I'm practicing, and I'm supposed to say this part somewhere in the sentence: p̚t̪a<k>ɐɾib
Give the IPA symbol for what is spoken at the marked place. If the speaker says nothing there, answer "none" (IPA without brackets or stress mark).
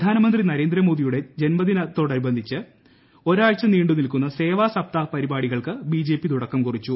p